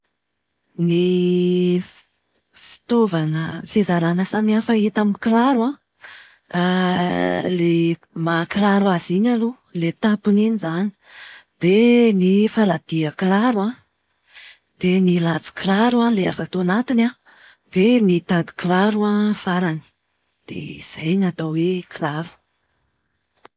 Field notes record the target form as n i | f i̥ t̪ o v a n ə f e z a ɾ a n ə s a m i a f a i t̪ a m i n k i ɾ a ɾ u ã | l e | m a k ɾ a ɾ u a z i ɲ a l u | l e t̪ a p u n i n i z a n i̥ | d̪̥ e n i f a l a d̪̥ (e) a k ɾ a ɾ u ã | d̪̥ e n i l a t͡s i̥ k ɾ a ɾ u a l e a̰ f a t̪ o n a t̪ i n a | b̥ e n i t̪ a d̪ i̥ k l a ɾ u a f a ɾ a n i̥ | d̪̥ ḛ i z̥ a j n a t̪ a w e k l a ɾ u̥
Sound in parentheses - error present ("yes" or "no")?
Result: yes